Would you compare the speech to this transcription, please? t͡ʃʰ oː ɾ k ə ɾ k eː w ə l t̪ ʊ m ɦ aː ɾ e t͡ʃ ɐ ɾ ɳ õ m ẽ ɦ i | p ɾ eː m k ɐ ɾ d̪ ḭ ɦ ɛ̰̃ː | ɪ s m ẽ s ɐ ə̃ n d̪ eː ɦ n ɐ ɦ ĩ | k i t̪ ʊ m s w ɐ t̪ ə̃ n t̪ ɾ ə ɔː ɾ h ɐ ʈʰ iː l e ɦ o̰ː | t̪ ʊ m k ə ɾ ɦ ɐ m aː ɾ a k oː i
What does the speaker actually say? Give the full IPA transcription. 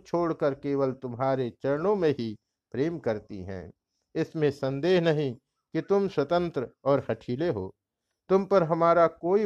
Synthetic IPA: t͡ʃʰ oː ɽ k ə ɾ k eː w ə l t̪ ʊ m ɦ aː ɾ e t͡ʃ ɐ ɾ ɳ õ m ẽ ɦ i | p ɾ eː m k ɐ ɾ t̪ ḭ ɦ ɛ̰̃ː | ɪ s m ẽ s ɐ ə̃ n d̪ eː ɦ n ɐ ɦ ĩ | k i t̪ ʊ m s w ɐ t̪ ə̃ n t̪ ɾ ə ɔː ɾ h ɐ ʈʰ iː l e ɦ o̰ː | t̪ ʊ m p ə ɾ ɦ ɐ m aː ɾ a k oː i